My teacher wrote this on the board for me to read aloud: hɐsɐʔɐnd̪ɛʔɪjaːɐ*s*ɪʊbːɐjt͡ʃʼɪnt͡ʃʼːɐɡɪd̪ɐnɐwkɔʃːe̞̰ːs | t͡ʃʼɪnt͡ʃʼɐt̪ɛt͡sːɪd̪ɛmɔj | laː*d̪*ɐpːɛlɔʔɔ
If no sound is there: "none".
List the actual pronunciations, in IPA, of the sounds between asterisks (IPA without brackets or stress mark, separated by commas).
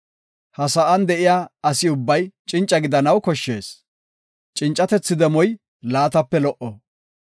s, t̪